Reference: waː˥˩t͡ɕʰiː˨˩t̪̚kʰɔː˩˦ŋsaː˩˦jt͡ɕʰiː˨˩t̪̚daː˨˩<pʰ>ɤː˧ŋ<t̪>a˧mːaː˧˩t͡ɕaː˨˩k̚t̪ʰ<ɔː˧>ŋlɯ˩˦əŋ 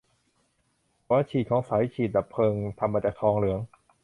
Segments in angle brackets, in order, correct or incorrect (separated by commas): correct, incorrect, correct